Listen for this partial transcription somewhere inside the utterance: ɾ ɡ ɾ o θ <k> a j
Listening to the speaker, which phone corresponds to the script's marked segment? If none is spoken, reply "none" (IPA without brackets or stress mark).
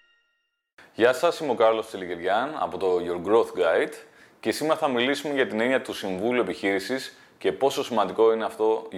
ɡ